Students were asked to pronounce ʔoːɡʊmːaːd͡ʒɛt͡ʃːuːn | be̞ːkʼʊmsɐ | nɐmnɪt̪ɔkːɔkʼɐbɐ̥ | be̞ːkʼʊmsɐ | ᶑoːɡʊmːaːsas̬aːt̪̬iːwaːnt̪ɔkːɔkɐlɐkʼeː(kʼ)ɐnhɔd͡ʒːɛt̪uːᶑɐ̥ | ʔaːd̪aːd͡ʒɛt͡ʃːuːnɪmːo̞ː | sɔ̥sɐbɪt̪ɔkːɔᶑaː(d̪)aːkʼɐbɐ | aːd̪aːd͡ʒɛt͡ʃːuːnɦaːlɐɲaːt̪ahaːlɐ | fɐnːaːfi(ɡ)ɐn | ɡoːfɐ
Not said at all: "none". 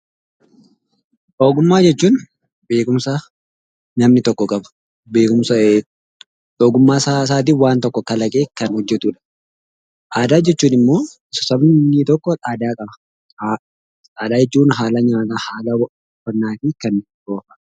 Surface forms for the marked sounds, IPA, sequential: k, d̪, k

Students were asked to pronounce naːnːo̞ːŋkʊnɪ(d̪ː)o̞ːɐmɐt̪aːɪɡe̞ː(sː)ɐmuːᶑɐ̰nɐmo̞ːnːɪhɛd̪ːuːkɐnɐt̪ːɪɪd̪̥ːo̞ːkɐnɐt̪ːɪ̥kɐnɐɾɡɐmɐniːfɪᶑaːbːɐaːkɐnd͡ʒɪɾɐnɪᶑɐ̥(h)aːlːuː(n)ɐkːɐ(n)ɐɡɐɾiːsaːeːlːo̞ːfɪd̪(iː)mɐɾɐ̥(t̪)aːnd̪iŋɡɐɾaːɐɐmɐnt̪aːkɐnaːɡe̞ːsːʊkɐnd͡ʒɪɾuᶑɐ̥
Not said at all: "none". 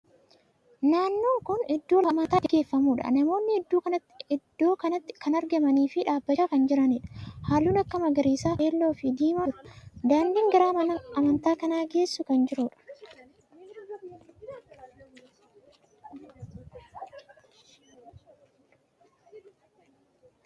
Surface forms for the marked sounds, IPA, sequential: d̪ː, fː, h, n, m, iː, d̪

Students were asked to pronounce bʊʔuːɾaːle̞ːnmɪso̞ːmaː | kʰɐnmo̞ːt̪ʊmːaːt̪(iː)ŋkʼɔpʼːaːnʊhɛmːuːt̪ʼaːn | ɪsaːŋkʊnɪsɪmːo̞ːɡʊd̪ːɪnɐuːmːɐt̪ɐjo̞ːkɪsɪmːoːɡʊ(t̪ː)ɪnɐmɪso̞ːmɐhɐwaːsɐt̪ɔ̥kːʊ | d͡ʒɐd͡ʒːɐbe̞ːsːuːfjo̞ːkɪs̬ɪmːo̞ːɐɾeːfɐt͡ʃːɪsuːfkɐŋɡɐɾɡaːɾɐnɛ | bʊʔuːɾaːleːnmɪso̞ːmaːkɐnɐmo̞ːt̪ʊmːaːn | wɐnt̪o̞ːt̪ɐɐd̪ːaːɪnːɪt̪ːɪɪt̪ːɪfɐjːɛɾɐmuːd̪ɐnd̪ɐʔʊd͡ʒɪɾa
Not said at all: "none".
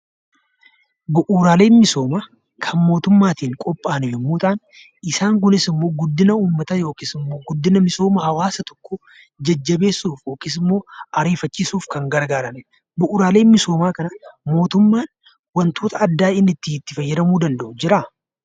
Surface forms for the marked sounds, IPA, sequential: iː, d̪ː

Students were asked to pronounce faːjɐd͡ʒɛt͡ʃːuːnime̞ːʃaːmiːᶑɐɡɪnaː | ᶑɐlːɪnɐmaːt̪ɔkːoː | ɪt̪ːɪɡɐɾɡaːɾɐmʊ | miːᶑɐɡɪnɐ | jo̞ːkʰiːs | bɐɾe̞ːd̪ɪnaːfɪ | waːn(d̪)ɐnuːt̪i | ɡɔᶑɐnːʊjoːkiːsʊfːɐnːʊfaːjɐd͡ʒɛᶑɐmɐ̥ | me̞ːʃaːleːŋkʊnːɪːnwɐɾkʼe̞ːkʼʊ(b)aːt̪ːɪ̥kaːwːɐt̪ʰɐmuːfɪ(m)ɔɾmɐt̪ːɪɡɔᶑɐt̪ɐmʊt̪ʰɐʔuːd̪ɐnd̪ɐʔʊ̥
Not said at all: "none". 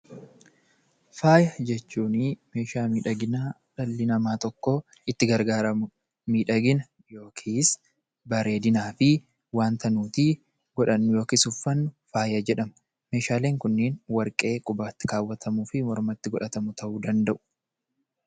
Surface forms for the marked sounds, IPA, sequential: t̪, b, m

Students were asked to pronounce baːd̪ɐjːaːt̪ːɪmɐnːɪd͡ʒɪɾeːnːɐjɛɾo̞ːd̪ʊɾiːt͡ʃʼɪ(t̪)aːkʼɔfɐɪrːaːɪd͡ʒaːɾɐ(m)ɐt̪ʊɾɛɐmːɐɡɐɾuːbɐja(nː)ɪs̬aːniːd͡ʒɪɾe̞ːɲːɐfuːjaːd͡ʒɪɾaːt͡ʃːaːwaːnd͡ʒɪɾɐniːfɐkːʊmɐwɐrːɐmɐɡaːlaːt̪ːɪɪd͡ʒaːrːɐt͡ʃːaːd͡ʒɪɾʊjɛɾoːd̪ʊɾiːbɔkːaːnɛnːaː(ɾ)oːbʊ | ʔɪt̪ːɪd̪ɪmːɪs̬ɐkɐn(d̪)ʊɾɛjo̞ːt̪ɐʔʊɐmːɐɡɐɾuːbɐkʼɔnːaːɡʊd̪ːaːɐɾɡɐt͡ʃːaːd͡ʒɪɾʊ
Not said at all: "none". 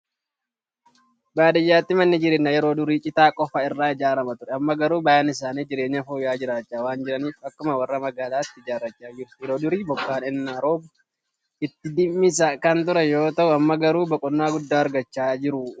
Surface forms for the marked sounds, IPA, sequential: t̪, m, n, ɾ, t̪

